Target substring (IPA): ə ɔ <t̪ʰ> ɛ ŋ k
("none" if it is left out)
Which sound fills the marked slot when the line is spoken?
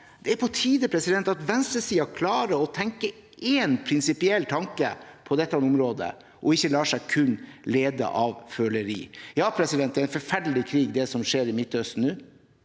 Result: t̪ʰ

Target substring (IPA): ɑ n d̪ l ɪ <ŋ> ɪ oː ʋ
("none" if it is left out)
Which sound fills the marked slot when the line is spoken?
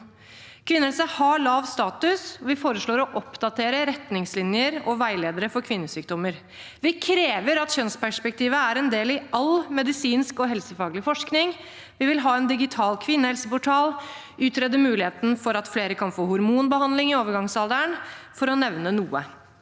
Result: ŋ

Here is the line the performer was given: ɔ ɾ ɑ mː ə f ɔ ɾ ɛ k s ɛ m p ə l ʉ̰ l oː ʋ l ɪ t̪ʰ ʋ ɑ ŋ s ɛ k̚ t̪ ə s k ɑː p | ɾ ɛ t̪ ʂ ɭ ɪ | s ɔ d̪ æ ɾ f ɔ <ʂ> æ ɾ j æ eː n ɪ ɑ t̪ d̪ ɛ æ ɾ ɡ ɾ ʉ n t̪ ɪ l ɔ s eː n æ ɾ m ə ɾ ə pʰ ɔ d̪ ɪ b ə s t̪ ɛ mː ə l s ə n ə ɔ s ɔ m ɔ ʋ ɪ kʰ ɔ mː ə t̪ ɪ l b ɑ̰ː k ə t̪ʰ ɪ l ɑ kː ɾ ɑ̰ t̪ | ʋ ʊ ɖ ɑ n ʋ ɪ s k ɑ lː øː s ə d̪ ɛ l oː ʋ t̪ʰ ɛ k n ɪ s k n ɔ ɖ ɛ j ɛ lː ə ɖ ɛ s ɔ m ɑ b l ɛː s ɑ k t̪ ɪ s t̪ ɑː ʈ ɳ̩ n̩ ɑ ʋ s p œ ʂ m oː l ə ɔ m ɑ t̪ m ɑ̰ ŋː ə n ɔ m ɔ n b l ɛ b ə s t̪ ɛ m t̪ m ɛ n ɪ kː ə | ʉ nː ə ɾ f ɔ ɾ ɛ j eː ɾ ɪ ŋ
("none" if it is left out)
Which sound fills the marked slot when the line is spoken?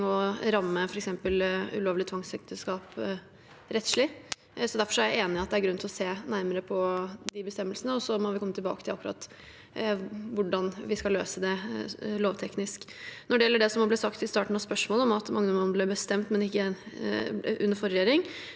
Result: ʂ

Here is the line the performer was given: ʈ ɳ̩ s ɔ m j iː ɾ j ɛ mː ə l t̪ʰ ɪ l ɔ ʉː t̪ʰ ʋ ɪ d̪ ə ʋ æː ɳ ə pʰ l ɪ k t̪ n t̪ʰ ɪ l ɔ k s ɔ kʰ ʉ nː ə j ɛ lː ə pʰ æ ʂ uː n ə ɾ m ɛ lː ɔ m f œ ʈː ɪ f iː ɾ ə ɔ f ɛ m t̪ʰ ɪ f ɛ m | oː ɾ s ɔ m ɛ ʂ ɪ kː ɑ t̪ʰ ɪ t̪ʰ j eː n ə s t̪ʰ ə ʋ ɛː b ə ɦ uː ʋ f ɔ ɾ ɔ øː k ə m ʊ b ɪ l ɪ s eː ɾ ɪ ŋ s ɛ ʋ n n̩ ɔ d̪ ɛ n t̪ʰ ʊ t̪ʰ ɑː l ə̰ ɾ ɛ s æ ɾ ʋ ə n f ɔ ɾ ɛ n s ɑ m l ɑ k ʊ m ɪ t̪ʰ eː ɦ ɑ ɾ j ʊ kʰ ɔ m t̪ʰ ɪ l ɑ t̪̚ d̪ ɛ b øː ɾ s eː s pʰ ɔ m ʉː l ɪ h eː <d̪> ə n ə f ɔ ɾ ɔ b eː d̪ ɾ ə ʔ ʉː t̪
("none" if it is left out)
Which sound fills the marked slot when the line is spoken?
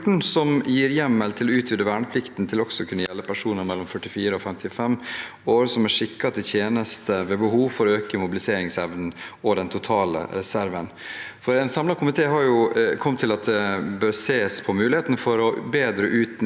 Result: t̪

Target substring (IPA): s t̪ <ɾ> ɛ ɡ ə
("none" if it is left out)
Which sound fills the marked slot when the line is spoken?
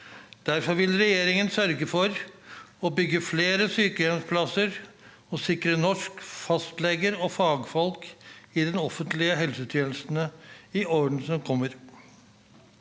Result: l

